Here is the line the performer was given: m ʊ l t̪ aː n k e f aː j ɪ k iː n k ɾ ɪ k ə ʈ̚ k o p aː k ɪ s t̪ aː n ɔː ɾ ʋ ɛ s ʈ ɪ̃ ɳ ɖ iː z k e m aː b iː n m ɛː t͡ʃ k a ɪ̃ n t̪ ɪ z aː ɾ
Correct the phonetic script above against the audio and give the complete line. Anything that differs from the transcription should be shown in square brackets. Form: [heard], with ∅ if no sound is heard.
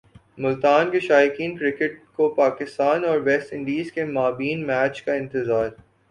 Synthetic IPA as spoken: m ʊ l t̪ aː n k e [ʃ] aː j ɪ k iː n k ɾ ɪ k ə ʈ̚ k o p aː k ɪ s t̪ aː n ɔː ɾ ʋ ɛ s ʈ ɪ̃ ɳ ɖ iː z k e m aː b iː n m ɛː t͡ʃ k a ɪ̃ n t̪ ɪ z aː ɾ